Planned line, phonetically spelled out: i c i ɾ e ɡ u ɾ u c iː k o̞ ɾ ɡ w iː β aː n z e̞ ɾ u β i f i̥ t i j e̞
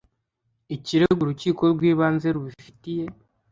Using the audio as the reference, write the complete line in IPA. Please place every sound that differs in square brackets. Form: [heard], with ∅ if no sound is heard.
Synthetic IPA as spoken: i c i ɾ e ɡ u ɾ u c iː k o̞ ɾ ɡ w iː β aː n z e̞ ɾ u β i f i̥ t i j e̞